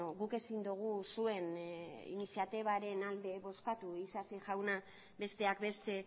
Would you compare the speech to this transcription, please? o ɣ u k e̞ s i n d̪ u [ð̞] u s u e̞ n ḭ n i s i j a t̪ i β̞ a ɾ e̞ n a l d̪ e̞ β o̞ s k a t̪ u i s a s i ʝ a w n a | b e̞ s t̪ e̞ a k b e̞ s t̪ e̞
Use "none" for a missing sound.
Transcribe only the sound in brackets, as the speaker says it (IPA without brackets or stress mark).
ɣ̞